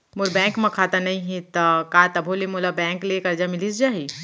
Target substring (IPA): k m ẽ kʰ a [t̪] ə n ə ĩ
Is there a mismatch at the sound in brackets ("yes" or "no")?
no